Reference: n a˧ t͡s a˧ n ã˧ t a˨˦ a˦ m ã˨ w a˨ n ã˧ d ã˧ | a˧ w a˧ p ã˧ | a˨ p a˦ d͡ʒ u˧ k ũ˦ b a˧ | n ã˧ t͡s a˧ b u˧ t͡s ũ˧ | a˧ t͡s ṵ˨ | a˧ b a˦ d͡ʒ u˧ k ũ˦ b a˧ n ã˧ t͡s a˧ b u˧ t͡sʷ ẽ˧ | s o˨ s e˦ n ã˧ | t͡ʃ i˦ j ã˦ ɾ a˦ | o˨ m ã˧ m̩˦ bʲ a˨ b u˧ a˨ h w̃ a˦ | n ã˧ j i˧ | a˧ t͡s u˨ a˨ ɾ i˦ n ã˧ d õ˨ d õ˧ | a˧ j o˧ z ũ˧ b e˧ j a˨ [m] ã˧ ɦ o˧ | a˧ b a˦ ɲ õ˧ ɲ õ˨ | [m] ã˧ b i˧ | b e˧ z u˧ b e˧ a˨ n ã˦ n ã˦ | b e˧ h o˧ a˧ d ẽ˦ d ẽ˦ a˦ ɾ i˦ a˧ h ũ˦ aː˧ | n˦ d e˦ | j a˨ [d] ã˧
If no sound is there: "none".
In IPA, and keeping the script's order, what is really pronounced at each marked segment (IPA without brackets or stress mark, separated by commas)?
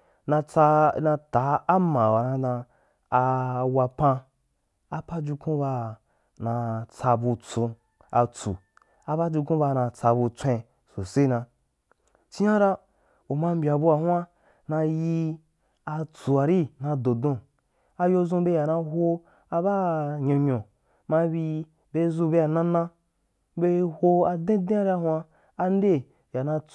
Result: n, m, n